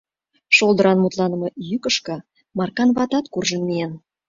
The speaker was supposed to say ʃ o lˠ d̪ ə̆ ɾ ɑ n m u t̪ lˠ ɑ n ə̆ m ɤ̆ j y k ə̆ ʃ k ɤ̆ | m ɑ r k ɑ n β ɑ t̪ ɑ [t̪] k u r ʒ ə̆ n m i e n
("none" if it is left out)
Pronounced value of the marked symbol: t̪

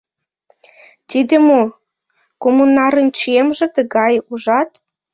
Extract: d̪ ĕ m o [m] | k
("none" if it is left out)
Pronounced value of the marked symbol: none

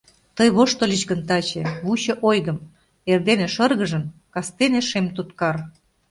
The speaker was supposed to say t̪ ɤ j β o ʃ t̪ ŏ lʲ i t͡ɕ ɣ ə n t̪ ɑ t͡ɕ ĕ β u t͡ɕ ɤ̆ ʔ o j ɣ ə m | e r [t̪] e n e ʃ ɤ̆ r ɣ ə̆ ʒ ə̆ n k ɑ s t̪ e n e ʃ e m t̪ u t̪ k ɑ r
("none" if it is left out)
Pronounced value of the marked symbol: d̪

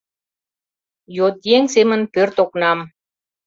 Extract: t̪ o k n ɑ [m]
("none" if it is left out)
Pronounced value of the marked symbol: m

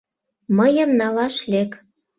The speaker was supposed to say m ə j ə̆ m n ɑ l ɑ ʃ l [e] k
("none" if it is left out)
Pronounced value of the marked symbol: e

